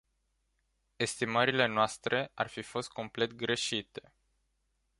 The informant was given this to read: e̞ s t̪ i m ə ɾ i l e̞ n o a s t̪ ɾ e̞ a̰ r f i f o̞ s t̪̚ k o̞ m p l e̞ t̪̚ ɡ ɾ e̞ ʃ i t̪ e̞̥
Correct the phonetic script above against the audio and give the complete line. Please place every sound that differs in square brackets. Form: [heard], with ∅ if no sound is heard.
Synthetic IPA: e̞ s t̪ i m ə ɾ i l e̞ n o a s t̪ ɾ e̞ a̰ r f i f o̞ s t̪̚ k o̞ m p l e̞ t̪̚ ɡ ɾ e̞ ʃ i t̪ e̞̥